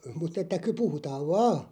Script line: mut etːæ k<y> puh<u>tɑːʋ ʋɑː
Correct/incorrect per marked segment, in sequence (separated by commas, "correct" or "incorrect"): correct, correct